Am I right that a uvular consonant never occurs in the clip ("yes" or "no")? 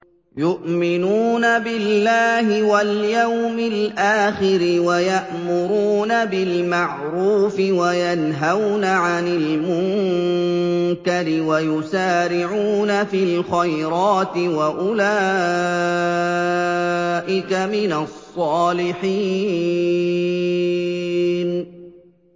yes